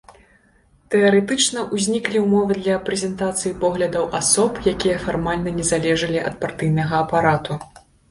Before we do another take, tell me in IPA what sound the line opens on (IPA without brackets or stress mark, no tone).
t̪